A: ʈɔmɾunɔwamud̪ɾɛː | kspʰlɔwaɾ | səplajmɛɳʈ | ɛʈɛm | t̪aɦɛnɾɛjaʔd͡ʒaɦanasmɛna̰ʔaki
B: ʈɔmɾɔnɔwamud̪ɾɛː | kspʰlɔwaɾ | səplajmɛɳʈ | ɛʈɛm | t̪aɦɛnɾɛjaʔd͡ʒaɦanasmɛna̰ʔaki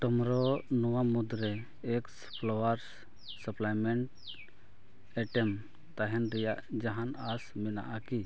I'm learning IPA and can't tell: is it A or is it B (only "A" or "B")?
B